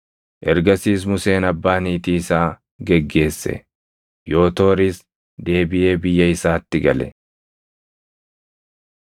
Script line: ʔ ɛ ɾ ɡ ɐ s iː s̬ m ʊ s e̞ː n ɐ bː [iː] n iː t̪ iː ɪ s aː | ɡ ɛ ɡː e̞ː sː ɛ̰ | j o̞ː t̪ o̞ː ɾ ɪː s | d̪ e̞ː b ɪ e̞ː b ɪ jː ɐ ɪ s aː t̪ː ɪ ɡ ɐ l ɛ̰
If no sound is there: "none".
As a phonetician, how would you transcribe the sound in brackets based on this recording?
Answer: aː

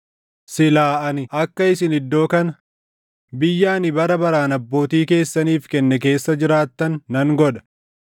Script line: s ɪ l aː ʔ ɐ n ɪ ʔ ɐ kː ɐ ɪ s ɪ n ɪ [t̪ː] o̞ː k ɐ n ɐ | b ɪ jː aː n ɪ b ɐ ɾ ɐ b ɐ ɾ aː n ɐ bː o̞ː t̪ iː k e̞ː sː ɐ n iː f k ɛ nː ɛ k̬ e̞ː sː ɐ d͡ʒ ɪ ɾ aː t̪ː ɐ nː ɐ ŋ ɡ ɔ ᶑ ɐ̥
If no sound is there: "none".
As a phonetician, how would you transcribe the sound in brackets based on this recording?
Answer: d̪ː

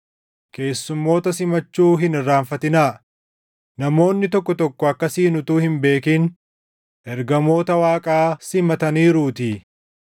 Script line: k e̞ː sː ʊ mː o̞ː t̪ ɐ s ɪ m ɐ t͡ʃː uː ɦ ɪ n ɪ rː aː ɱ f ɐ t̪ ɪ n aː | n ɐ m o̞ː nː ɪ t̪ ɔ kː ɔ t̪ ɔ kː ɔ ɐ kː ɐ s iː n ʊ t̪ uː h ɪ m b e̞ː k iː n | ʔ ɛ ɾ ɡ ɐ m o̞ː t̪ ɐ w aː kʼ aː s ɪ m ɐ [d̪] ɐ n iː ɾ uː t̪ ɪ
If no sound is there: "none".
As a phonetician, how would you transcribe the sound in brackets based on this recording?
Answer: t̪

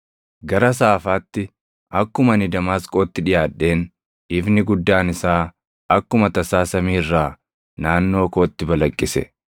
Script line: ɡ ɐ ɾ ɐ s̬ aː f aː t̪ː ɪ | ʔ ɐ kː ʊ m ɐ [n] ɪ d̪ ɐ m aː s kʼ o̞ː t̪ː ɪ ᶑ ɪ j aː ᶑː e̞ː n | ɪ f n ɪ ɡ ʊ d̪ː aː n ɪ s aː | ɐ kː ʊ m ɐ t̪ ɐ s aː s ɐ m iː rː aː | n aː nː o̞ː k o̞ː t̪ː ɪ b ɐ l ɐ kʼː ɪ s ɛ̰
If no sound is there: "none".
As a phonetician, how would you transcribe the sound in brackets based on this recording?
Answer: n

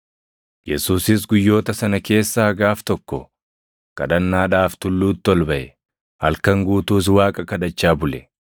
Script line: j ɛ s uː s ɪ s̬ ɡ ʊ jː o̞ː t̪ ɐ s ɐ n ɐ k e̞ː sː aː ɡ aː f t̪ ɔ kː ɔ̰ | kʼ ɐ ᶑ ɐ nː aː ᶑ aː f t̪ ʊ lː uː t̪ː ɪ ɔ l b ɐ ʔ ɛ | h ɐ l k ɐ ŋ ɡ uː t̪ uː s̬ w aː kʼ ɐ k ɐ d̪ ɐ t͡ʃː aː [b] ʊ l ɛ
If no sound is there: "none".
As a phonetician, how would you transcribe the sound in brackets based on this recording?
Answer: b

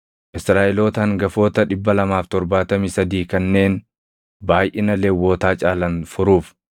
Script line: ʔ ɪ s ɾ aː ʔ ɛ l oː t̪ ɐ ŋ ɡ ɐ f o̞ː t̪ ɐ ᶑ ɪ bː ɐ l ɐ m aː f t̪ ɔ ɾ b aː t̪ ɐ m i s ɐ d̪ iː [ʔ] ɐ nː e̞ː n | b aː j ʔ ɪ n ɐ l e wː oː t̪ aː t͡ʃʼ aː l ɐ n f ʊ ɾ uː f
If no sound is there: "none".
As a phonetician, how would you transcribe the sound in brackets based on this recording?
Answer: k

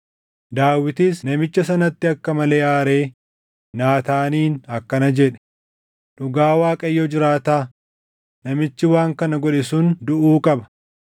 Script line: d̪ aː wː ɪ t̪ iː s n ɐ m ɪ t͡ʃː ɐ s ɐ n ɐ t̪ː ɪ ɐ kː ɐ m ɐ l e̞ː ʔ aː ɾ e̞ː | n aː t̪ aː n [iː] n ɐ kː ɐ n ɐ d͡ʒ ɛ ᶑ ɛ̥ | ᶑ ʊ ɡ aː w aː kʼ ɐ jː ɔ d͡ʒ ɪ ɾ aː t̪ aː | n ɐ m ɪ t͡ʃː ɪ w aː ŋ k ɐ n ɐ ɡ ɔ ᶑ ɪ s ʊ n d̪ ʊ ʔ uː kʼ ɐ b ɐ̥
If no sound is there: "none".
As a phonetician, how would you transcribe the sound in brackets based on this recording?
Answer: iː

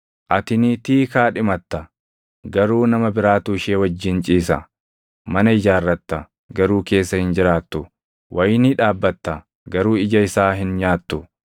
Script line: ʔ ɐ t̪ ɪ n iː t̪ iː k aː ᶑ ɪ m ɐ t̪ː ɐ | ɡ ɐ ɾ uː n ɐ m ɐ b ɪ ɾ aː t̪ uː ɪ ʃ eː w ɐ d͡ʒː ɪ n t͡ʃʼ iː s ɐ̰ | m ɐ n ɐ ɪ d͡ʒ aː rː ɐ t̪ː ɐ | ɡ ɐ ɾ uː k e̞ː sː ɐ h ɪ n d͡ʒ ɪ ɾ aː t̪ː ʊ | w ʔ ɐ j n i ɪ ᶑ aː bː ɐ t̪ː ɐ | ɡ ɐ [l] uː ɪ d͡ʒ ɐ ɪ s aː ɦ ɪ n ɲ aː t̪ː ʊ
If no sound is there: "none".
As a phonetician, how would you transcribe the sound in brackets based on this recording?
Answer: ɾ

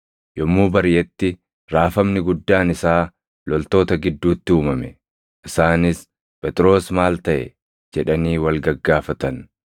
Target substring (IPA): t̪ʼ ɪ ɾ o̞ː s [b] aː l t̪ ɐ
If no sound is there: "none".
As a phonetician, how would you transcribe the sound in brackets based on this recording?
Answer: m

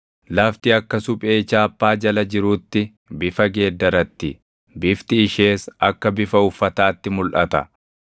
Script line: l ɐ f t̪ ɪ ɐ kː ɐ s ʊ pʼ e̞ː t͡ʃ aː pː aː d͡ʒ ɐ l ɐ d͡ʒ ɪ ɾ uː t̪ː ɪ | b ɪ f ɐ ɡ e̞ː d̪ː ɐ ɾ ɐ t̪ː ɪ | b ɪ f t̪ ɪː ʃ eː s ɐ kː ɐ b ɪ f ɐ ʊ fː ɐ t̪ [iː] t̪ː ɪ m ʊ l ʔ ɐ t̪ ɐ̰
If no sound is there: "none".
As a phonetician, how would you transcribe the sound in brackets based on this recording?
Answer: aː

